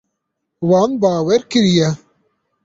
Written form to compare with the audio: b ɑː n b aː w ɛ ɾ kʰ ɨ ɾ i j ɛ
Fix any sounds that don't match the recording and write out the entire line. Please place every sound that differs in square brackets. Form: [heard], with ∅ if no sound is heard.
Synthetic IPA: [w] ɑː n b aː w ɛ ɾ [k] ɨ ɾ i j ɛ